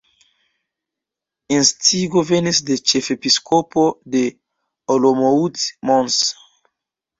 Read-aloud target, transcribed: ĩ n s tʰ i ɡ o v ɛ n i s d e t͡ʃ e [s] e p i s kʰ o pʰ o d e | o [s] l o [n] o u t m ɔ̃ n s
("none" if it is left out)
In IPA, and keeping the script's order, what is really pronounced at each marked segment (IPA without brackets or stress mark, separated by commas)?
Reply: f, none, m